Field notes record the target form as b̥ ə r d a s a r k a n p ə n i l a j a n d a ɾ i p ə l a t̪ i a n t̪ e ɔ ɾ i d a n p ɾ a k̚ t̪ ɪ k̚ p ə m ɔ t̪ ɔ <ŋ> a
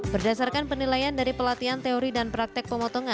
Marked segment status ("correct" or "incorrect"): correct